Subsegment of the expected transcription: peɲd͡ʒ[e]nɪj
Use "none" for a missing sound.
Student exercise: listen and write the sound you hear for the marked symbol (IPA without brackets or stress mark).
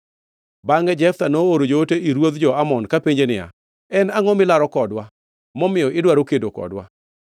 e